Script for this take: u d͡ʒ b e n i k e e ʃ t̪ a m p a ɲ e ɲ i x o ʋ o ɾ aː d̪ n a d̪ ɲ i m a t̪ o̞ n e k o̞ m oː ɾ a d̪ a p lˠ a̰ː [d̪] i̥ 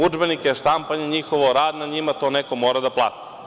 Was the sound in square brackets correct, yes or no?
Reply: no